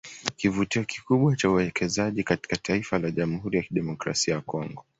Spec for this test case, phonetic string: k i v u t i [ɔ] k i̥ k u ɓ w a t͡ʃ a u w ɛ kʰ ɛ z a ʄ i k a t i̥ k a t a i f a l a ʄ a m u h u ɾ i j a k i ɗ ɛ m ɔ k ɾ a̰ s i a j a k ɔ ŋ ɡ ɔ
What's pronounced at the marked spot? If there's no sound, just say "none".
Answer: ɔ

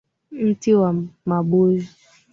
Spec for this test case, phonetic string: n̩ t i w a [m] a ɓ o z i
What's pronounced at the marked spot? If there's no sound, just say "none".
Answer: m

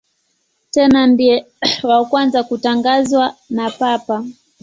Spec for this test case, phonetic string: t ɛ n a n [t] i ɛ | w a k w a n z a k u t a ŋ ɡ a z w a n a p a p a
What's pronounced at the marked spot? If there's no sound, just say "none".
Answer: d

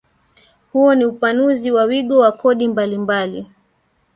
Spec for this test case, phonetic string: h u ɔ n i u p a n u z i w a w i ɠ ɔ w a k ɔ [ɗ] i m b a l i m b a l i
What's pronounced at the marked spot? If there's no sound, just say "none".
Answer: ɗ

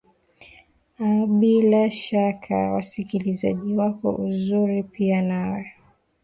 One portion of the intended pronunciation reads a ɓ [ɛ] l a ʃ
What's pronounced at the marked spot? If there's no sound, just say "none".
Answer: i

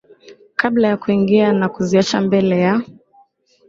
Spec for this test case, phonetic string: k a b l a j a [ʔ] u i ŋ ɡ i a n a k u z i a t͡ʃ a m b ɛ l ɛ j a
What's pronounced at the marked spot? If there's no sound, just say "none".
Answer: k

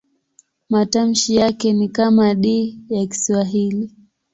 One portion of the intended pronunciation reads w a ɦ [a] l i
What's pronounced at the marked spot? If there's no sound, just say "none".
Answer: i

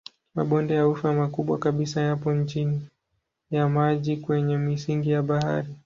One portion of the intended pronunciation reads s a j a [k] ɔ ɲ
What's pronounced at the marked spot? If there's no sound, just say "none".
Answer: p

